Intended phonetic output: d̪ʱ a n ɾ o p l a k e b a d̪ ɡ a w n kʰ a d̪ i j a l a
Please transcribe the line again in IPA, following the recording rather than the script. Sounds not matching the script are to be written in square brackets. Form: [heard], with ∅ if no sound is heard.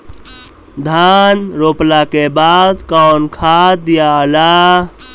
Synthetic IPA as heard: d̪ʱ a n ɾ o p l a k e b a d̪ [k] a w n kʰ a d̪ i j a l a